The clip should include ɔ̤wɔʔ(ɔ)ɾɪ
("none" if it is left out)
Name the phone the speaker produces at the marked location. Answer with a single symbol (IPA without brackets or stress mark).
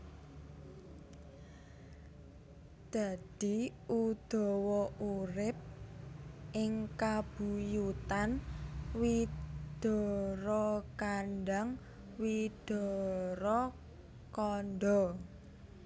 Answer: u